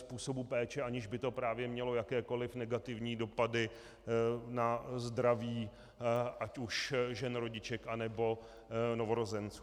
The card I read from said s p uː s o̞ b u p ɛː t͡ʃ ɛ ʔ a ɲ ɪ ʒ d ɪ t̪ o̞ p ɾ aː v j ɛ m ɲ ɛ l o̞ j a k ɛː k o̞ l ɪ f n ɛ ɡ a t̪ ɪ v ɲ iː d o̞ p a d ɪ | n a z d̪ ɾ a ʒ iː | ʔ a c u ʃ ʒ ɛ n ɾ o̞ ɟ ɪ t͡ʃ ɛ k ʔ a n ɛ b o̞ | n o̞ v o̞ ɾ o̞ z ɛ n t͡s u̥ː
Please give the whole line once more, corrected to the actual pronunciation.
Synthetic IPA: s p uː s o̞ b u p ɛː t͡ʃ ɛ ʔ a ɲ ɪ ʒ b ɪ t̪ o̞ p ɾ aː v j ɛ m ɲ ɛ l o̞ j a k ɛː k o̞ l ɪ f n ɛ ɡ a t̪ ɪ v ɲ iː d o̞ p a d ɪ | n a z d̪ ɾ a v iː | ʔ a c u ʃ ʒ ɛ n ɾ o̞ ɟ ɪ t͡ʃ ɛ k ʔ a n ɛ b o̞ | n o̞ v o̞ ɾ o̞ z ɛ n t͡s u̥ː